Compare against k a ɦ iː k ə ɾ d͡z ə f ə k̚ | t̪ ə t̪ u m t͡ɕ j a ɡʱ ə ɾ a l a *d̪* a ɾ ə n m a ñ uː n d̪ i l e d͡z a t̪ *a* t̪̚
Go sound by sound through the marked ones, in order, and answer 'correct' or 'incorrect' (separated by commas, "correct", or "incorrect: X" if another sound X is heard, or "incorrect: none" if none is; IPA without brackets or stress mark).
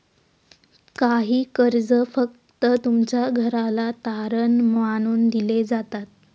incorrect: t̪, correct